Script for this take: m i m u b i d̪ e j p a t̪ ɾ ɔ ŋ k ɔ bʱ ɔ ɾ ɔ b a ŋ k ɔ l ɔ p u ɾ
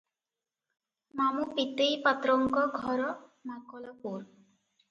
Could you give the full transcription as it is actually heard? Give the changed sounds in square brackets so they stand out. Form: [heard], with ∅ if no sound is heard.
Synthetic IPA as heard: m [a] m u [p] i [t̪] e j p a t̪ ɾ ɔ ŋ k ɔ [ɡʱ] ɔ ɾ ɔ [m] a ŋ k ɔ l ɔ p u ɾ